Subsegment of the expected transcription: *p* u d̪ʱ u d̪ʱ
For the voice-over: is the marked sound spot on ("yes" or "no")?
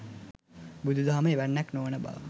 no